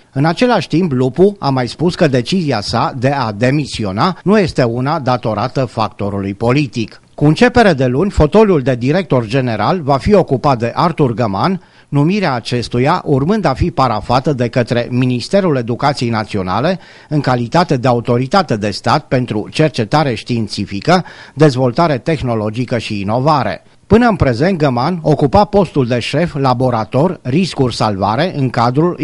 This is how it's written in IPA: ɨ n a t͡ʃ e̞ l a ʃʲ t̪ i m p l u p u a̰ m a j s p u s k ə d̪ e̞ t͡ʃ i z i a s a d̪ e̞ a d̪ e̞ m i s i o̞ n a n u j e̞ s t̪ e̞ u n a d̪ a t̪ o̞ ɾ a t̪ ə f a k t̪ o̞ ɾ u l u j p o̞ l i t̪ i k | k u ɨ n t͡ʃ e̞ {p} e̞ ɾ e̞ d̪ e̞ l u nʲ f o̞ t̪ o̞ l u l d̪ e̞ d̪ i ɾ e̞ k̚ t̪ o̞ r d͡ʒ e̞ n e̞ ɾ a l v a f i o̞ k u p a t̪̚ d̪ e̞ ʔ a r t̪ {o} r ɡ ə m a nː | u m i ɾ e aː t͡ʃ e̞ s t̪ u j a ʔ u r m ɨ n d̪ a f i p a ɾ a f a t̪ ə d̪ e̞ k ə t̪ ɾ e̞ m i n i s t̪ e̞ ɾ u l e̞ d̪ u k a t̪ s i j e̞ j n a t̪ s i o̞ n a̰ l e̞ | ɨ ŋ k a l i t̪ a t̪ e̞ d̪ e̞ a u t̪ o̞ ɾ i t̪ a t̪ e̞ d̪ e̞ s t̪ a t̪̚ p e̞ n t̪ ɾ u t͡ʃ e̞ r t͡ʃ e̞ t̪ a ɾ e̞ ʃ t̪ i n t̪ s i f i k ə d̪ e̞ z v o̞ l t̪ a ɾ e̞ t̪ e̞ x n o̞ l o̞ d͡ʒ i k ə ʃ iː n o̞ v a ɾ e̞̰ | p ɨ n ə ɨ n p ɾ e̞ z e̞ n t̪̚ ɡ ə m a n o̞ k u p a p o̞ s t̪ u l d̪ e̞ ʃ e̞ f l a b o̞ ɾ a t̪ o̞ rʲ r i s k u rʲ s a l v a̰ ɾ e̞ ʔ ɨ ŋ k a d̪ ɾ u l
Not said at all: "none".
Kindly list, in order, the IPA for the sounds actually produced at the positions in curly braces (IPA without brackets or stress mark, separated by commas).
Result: p, u